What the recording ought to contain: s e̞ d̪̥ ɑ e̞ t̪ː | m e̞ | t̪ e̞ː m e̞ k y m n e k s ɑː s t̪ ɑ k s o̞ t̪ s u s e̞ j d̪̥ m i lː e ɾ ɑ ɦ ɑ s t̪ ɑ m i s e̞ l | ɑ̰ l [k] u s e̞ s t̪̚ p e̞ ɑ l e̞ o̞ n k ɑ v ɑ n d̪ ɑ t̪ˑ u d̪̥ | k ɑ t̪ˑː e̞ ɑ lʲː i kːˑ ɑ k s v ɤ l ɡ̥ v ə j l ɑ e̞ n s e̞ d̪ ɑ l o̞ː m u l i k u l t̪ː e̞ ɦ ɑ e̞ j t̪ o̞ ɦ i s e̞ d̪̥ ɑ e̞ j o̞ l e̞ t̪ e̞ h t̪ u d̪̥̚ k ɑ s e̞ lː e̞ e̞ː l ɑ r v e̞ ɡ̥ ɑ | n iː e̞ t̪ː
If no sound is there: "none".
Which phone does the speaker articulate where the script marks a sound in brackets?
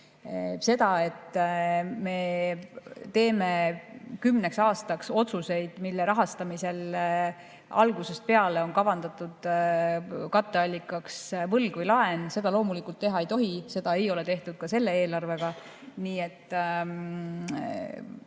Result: ɡ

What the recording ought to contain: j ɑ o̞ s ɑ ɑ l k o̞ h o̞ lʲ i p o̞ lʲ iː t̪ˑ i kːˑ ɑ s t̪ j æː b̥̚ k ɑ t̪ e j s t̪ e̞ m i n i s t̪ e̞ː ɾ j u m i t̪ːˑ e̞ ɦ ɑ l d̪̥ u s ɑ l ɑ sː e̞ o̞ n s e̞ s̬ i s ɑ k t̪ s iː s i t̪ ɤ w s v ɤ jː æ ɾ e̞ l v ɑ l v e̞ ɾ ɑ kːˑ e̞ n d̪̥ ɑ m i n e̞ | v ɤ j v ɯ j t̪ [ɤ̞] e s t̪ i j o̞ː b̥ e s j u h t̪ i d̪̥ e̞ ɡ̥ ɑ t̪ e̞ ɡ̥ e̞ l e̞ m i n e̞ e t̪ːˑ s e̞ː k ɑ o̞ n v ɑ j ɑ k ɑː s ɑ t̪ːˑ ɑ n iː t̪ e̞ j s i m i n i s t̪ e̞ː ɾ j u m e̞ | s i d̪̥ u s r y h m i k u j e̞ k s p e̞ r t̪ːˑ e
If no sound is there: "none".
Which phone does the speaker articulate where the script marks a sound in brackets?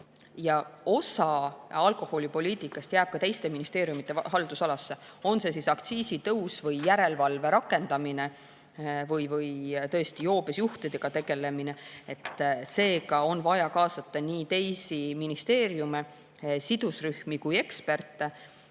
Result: ɤ̞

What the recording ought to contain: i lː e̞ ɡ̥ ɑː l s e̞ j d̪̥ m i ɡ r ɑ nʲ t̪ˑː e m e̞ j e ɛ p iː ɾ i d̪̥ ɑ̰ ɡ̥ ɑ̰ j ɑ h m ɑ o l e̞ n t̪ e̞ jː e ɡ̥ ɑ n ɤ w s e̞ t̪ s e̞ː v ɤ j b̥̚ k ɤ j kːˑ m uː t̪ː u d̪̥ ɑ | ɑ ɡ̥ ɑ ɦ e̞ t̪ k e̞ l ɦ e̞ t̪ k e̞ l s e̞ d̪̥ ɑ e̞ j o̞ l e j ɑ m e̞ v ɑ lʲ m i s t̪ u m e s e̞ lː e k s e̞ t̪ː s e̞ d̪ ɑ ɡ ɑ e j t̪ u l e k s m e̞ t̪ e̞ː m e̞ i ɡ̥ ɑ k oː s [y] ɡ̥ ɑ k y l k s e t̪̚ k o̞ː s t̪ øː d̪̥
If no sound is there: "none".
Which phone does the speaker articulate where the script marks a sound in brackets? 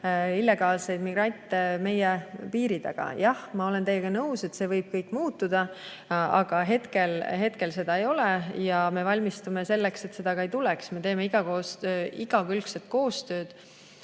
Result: i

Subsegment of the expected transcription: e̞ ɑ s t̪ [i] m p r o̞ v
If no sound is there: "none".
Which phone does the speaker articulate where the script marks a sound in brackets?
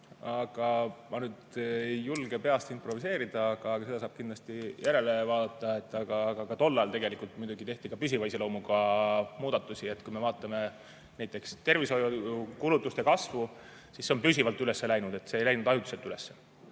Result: i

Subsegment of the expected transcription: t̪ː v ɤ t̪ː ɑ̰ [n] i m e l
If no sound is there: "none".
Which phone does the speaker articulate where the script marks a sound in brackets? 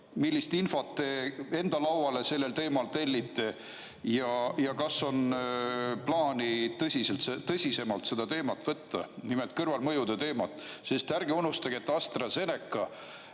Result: n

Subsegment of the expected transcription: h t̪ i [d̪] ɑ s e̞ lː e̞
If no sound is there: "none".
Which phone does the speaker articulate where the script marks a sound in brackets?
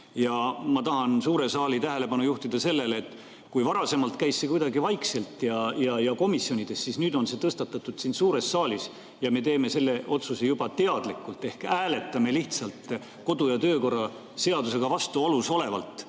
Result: d̪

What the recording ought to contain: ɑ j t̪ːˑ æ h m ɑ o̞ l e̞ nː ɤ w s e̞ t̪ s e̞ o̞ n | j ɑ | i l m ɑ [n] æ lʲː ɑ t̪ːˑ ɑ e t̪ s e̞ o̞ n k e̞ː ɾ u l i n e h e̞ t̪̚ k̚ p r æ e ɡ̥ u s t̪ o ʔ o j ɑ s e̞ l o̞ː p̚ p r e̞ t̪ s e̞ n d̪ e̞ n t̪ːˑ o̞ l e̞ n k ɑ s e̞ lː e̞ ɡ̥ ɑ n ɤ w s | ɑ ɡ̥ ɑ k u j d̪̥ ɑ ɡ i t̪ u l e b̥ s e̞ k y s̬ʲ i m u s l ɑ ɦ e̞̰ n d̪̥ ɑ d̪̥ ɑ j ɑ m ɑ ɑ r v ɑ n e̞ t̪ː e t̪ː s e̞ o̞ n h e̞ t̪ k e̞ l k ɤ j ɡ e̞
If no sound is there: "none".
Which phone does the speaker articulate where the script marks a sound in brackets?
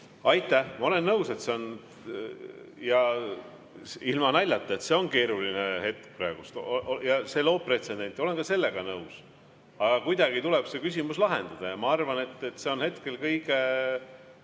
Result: n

